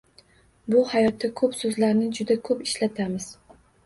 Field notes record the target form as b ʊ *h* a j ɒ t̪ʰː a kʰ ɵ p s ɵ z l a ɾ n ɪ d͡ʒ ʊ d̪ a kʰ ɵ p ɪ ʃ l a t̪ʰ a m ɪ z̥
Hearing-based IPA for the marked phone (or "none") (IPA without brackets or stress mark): h